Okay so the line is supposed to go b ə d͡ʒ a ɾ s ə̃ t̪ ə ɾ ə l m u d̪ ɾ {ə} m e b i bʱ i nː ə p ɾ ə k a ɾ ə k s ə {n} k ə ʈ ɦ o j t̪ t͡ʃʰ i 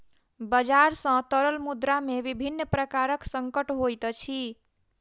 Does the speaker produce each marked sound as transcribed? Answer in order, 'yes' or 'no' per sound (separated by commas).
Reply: no, no